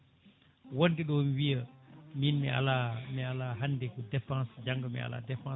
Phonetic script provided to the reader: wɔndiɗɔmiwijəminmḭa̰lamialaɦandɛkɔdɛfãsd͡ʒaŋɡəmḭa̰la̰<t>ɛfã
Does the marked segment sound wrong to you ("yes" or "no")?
yes